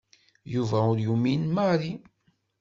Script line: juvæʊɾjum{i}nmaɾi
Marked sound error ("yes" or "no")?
no